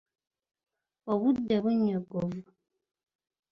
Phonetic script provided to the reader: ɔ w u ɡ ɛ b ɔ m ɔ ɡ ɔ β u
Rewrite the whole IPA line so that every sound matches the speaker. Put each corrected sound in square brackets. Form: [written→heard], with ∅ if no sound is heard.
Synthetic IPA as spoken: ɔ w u [ɡ→d] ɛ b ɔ [m→ɲ] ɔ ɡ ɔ [β→v] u